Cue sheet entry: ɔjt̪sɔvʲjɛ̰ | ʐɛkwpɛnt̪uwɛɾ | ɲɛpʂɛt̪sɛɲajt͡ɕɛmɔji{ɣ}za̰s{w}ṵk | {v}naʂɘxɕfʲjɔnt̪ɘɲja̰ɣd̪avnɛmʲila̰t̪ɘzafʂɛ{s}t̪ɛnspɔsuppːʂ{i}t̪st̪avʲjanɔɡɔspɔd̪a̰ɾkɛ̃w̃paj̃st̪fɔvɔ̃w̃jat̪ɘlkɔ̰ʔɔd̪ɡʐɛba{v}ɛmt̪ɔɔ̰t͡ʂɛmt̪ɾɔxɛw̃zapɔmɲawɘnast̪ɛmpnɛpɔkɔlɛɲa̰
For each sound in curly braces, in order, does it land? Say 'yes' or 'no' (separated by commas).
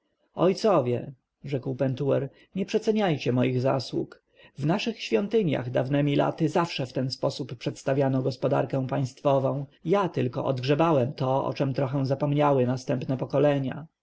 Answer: yes, yes, yes, no, no, no